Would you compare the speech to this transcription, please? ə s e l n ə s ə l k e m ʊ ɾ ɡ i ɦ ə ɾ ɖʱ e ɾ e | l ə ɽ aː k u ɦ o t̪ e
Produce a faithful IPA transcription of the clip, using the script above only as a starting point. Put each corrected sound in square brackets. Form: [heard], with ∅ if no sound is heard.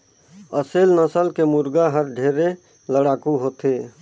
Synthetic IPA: ə s e l n ə s ə l k e m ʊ ɾ ɡ [a] ɦ ə ɾ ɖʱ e ɾ e | l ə ɽ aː k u ɦ o t̪ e

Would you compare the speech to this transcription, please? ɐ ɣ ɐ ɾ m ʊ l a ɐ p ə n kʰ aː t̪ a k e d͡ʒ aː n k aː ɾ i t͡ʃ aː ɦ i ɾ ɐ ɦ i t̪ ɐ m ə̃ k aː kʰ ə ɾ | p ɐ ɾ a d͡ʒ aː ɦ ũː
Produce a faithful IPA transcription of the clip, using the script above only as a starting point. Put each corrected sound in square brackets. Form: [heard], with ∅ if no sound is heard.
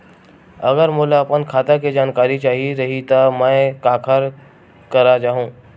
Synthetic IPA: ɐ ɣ [ə] ɾ m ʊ l a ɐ p ə n kʰ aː t̪ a k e d͡ʒ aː n k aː ɾ i t͡ʃ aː ɦ i ɾ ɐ ɦ i t̪ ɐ m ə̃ k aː kʰ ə ɾ | [k] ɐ ɾ a d͡ʒ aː ɦ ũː

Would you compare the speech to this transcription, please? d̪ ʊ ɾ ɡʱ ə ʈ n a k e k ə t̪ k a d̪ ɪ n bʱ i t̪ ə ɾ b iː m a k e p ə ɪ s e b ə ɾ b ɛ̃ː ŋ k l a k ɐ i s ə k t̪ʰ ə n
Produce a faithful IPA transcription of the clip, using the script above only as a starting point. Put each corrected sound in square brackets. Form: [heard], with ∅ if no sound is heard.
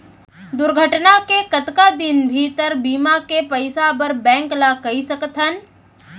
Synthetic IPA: d̪ ʊ ɾ ɡʱ ə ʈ n a k e k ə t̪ k a d̪ ɪ n bʱ i t̪ ə ɾ b iː m a k e p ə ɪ s [a] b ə ɾ b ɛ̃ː ŋ k l a k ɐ i s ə k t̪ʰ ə n

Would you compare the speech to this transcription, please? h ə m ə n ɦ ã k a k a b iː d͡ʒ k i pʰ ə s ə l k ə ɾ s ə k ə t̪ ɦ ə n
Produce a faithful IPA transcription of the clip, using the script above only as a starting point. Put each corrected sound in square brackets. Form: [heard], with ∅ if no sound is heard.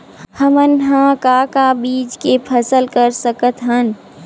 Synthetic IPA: h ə m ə n ɦ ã k a k a b iː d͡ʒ k [e] pʰ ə s ə l k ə ɾ s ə k ə t̪ ɦ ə n

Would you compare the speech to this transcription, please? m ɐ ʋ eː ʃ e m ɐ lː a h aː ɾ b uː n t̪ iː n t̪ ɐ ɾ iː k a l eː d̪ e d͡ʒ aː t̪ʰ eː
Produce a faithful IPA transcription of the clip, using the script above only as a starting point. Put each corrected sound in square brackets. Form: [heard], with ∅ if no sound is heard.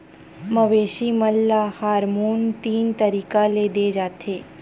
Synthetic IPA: m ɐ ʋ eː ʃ [i] m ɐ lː a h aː ɾ [m] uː n t̪ iː n t̪ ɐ ɾ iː k a l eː d̪ e d͡ʒ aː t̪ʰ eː

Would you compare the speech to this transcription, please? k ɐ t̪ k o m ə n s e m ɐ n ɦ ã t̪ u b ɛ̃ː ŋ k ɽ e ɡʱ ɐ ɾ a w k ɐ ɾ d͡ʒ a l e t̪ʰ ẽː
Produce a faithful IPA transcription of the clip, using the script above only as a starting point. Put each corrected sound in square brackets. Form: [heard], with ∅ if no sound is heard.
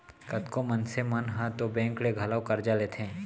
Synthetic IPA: k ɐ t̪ k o m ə n s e m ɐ n ɦ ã t̪ [o] b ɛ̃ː ŋ k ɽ e ɡʱ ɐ [l] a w k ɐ ɾ d͡ʒ a l e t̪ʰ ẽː

